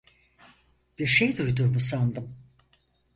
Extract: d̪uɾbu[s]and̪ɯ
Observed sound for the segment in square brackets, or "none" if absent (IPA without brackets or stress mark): s